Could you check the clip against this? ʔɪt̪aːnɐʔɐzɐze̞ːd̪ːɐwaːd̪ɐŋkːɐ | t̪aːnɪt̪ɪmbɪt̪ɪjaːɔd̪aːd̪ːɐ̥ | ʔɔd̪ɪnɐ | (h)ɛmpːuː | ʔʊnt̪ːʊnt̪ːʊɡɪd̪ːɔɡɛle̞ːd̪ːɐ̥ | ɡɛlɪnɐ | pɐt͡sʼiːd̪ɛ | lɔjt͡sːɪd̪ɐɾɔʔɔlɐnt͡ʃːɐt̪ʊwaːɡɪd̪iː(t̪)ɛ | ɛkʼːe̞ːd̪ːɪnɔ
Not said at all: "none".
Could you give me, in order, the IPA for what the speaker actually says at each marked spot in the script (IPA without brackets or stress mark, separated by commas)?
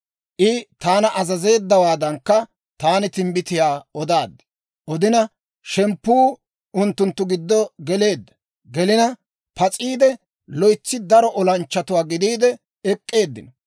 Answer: ʃ, d̪